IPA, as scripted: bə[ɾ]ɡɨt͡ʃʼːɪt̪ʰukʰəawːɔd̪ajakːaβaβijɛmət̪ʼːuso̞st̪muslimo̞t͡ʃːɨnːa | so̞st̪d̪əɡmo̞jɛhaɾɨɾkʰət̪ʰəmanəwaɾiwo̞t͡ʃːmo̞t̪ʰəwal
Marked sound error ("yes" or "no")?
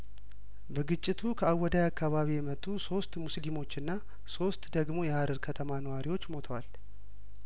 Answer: yes